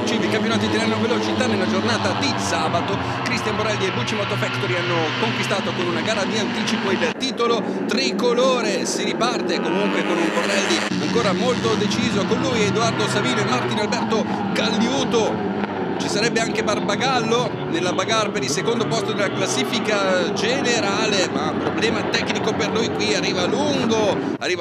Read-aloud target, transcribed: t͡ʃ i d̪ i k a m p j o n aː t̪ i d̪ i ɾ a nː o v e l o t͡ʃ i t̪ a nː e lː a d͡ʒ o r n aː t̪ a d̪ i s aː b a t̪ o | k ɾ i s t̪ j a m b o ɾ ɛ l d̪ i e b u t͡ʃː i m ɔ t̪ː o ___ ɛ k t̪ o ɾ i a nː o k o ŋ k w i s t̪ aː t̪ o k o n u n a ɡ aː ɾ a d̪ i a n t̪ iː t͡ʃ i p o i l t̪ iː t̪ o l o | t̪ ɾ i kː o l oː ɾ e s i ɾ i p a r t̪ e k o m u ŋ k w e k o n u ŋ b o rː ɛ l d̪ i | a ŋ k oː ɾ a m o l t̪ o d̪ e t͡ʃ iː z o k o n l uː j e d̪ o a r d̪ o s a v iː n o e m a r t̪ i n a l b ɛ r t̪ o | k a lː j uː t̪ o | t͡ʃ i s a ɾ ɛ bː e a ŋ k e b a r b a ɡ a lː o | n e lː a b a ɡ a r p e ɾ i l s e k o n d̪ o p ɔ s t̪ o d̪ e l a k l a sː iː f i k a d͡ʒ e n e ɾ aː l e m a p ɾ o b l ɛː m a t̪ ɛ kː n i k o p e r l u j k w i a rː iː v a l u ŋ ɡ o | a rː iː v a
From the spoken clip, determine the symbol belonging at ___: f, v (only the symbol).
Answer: f